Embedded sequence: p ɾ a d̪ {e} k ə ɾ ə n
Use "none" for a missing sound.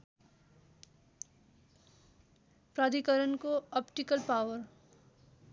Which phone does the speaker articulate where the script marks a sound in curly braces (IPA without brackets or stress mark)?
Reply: i